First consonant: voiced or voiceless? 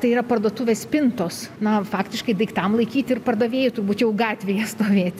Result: voiceless